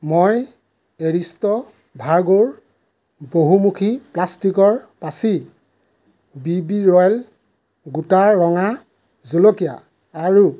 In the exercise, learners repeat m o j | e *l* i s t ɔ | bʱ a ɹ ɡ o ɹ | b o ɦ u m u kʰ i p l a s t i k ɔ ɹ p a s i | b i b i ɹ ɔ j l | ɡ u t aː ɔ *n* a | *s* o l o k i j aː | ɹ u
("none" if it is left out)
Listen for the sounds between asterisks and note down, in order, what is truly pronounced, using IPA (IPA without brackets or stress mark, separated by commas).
ɹ, ŋ, z